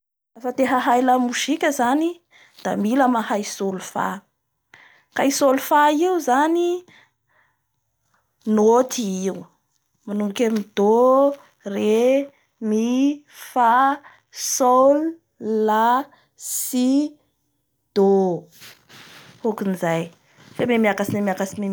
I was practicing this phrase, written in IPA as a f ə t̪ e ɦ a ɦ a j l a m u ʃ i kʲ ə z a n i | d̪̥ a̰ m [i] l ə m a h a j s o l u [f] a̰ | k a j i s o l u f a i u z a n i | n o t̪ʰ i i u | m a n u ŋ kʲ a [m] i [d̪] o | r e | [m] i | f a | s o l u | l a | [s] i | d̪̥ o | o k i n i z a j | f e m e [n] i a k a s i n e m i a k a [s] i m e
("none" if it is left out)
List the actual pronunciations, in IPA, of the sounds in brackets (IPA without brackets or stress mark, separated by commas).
i, f, m, d̪, m, s, m, s